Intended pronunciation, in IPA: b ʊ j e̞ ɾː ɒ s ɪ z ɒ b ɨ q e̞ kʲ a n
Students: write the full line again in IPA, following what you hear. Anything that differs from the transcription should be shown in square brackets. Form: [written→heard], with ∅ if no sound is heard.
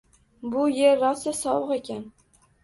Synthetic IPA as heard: b ʊ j e̞ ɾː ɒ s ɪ [z→s] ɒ [b→w] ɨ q e̞ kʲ a n